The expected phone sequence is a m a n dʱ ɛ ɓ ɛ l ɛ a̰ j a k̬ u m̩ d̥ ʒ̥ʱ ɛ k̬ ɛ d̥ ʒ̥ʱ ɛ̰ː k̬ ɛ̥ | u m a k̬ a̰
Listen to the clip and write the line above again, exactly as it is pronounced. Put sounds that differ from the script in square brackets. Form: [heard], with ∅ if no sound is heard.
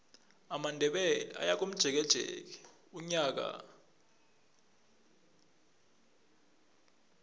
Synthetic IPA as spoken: a m a n dʱ ɛ ɓ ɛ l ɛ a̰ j a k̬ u m̩ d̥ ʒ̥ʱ ɛ k̬ ɛ d̥ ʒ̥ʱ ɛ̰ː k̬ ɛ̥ | u [ɲ] a k̬ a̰